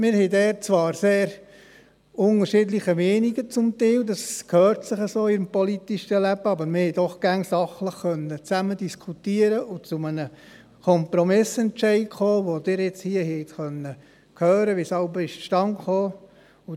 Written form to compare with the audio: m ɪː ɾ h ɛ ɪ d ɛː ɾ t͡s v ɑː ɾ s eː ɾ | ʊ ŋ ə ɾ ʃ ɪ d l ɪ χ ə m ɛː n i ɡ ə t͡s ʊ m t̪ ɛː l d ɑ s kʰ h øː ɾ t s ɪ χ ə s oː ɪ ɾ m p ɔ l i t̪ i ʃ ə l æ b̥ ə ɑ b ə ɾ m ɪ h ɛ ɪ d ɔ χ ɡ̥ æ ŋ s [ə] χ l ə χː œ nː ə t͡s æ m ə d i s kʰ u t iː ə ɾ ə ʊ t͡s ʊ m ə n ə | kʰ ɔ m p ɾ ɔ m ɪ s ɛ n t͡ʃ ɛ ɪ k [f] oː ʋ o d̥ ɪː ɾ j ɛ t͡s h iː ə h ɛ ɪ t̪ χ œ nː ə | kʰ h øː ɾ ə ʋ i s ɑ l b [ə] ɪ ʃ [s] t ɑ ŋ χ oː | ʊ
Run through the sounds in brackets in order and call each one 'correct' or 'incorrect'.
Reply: incorrect: ɑ, incorrect: χ, correct, incorrect: ʃ

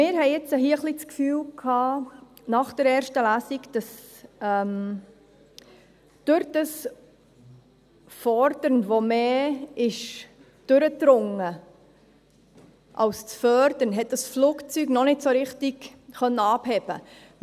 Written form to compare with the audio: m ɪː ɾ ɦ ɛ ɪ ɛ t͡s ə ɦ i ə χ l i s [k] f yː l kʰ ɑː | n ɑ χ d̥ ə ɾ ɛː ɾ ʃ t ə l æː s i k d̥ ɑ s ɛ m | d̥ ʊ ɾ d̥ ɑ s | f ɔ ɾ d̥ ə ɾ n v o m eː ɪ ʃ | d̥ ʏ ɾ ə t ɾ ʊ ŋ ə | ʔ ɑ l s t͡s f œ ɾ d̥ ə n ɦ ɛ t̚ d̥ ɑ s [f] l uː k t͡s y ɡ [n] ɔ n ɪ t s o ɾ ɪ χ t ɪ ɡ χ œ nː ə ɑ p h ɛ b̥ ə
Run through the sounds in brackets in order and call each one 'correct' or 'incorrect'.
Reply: correct, correct, correct

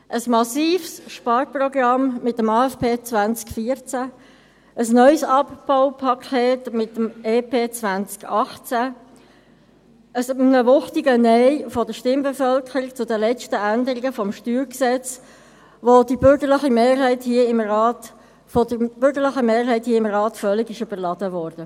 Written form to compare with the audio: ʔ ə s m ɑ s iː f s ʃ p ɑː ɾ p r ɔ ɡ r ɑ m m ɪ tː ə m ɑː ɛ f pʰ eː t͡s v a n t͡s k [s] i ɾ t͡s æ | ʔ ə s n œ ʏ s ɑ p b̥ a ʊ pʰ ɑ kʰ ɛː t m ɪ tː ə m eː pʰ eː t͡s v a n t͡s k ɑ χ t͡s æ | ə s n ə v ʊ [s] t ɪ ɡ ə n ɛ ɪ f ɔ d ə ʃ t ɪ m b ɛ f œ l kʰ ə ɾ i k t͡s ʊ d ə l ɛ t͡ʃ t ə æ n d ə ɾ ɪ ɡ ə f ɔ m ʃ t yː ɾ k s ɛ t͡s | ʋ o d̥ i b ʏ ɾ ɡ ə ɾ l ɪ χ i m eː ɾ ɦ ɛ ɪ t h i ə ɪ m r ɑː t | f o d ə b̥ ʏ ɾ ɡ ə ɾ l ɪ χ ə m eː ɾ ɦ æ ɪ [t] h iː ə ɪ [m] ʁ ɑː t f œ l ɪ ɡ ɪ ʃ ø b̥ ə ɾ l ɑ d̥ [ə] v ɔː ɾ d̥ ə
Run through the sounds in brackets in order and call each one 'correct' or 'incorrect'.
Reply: incorrect: f, incorrect: χ, correct, correct, correct

